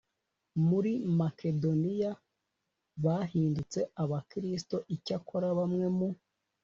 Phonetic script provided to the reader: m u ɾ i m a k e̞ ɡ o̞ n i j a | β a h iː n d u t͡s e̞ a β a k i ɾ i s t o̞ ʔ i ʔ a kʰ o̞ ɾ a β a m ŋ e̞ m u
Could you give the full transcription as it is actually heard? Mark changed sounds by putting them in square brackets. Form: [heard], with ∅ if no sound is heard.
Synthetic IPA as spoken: m u ɾ i m a k e̞ [d] o̞ n i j a | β a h iː n d u t͡s e̞ a β a k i ɾ i s t o̞ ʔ i [c] a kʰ o̞ ɾ a β a m ŋ e̞ m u